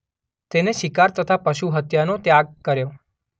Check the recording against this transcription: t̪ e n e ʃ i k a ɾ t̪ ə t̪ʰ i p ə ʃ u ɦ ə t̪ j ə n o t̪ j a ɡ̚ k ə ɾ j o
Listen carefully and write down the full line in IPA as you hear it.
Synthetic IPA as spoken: t̪ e n e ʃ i k a ɾ t̪ ə t̪ʰ a p ə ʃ u ɦ ə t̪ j a n o t̪ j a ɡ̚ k ə ɾ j o

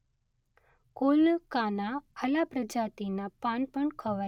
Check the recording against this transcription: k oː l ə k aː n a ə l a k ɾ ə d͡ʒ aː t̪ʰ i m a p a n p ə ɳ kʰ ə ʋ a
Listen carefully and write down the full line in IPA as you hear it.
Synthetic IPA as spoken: k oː l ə k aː n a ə l a p ɾ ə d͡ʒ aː t̪ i n a p a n p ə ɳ kʰ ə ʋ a

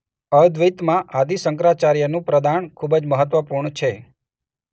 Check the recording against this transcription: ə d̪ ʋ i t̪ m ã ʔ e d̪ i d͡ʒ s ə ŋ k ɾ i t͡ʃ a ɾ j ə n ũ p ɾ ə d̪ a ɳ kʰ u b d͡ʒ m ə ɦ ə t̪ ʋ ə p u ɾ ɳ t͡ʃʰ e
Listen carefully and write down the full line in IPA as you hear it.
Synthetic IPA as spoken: ə d̪ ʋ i t̪ m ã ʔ a d̪ i s ə ŋ k ɾ a t͡ʃ a ɾ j ə n ũ p ɾ ə d̪ a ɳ kʰ u b d͡ʒ m ə ɦ ə t̪ ʋ ə p u ɾ ɳ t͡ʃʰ e

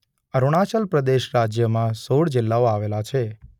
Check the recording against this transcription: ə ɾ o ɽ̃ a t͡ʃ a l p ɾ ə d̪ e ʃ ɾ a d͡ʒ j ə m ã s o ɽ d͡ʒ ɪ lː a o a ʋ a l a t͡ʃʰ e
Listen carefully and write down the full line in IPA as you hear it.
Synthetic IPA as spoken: ə ɾ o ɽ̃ a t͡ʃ ə l p ɾ ə d̪ e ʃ ɾ a d͡ʒ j ə m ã s o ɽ d͡ʒ ɪ lː a o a ʋ e l a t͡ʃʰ e

